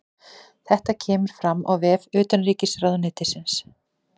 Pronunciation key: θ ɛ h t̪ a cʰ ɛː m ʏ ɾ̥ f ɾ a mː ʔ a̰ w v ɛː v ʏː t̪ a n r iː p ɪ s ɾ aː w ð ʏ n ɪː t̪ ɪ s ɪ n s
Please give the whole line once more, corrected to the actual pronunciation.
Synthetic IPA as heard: θ ɛ h t̪ a cʰ ɛː m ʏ ɾ̥ f ɾ a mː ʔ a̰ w v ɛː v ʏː t̪ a n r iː c ɪ s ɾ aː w ð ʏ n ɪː t̪ ɪ s ɪ n s